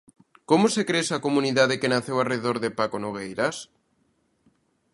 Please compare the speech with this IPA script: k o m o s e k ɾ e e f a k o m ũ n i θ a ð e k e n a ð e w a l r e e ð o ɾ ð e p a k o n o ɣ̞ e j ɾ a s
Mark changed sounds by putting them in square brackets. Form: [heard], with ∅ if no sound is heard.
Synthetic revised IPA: k o m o s e k ɾ e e [s] a k o m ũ n i [ð] a ð e k e n a [θ] e w a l r e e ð o ɾ ð e p a k o n o ɣ̞ e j ɾ a s